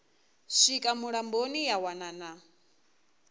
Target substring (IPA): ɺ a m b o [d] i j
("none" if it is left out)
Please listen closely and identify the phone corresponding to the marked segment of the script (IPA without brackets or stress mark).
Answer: n